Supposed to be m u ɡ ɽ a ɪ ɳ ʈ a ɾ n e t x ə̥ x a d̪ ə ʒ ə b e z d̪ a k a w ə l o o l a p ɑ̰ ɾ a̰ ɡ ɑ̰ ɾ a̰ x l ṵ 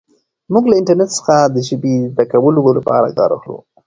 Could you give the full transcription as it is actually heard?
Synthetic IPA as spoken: m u ɡ l a ɪ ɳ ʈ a ɾ n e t s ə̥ x a d̪ ə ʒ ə b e z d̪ a k a w ə l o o l a p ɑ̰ ɾ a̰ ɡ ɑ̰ ɾ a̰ x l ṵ